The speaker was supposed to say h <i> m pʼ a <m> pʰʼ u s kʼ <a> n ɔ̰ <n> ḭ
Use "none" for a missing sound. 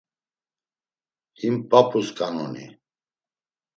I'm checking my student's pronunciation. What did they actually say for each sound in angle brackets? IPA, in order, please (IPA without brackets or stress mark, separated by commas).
i, none, a, n